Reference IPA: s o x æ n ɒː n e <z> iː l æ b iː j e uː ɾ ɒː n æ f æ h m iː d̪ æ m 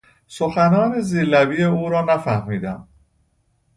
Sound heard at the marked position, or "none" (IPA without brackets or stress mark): z